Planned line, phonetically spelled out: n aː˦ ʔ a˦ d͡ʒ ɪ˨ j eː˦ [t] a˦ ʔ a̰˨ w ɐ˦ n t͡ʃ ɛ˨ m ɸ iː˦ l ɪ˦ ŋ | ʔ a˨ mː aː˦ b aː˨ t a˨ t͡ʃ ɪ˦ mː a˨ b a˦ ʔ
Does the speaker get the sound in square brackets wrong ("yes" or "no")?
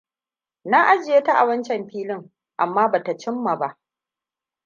no